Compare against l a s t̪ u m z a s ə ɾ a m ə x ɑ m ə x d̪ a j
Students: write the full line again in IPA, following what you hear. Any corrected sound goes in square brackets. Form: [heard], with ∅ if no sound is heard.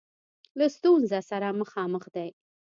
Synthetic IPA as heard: l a s t̪ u [n] z a s [a] ɾ a m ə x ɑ m ə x d̪ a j